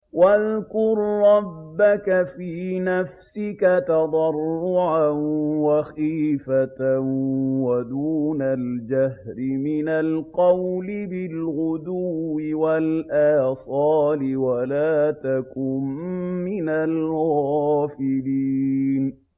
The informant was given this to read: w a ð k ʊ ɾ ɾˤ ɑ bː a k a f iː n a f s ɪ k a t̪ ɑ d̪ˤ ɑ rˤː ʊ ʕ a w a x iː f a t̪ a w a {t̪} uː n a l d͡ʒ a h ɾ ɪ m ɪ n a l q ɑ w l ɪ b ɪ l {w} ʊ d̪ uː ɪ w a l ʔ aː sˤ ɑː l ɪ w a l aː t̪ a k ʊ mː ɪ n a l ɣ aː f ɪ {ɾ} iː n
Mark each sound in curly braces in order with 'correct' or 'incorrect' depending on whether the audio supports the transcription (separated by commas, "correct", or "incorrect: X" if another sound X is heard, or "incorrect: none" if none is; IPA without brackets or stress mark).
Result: incorrect: d̪, incorrect: ɣ, incorrect: l